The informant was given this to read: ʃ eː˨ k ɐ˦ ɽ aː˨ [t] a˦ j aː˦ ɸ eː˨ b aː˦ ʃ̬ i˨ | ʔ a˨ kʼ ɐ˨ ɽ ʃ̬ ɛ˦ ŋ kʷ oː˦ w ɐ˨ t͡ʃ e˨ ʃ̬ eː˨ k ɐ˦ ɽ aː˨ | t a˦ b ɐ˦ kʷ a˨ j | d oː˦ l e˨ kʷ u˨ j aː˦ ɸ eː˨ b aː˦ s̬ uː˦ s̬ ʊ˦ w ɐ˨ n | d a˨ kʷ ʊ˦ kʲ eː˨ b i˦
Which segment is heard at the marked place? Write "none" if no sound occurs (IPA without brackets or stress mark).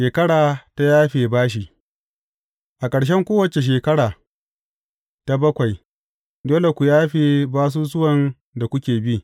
t